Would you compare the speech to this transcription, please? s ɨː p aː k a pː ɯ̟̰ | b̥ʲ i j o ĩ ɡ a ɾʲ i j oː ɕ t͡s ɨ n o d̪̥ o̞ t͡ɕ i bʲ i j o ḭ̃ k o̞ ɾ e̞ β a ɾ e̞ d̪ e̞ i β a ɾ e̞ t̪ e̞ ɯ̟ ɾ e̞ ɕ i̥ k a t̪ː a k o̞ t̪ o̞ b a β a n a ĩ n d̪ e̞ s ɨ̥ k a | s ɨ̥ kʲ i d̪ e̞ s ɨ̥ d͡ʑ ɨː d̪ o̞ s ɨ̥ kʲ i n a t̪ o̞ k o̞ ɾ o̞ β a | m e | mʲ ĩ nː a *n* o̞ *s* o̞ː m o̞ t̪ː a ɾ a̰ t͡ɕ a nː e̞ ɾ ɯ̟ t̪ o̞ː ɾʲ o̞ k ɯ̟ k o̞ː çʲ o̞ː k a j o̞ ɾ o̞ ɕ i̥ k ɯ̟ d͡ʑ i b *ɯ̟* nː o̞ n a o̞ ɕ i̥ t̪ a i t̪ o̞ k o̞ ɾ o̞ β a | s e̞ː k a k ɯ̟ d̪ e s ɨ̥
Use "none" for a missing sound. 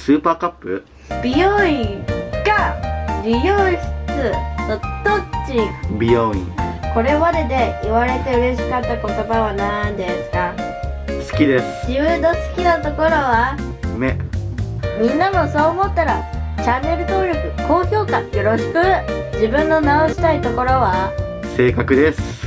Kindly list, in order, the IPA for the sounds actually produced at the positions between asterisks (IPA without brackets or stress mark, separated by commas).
m, s, ɯ̟̃